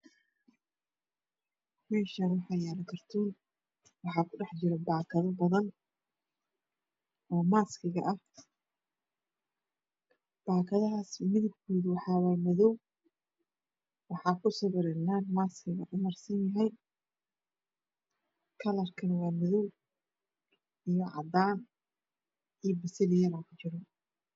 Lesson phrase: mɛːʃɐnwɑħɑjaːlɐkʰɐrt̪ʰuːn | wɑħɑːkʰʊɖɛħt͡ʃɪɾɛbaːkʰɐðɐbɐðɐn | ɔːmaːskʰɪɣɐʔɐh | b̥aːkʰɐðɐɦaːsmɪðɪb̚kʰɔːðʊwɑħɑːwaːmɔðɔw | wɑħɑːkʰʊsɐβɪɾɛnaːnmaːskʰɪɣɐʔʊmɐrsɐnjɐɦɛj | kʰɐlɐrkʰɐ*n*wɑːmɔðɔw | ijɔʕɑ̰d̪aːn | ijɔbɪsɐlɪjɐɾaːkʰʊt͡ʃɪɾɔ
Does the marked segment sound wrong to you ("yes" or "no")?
no